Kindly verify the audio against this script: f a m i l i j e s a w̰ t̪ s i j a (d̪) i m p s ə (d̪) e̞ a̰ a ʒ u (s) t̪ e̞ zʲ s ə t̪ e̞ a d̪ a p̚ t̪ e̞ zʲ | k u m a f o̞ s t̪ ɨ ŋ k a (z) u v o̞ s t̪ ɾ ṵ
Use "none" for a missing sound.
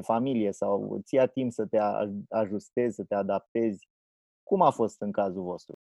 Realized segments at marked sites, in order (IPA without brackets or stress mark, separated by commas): t̪, t̪, s, z